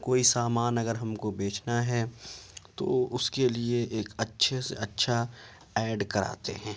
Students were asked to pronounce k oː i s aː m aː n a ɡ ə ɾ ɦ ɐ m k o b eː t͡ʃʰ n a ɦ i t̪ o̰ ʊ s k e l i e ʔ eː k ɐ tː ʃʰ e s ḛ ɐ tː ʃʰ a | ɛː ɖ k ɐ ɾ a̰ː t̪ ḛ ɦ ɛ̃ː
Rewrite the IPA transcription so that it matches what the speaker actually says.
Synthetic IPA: k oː i s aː m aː n ɐ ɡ ə ɾ ɦ ɐ m k o b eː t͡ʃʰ n a ɦ ɛ t̪ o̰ ʊ s k e l i e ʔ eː k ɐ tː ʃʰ e s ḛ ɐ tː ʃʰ a | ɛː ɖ k ɐ ɾ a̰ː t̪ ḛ ɦ ɛ̃ː